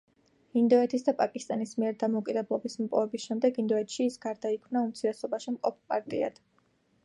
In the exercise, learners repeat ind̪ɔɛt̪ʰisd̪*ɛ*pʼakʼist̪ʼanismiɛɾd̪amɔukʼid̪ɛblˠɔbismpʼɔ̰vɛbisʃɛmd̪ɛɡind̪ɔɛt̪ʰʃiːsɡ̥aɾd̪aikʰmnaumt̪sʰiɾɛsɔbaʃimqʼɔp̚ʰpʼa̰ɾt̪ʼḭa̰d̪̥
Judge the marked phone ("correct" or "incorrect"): incorrect